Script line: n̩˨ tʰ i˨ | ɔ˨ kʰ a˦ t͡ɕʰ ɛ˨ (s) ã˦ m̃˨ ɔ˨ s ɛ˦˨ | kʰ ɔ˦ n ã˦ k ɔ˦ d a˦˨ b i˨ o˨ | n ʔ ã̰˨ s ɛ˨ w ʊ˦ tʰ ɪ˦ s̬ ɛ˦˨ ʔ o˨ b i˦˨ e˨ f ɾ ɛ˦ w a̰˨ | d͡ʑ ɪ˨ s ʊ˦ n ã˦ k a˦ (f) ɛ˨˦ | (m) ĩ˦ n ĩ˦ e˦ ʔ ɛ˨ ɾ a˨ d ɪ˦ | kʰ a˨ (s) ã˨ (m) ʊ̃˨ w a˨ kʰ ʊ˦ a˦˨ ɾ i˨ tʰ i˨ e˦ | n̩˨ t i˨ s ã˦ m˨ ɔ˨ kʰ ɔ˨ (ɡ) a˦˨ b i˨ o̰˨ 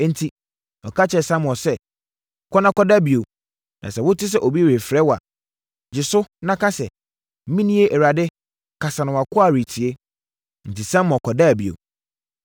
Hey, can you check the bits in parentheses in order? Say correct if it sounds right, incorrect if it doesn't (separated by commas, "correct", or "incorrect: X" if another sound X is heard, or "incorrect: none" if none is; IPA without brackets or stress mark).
correct, incorrect: s, correct, correct, incorrect: n, incorrect: d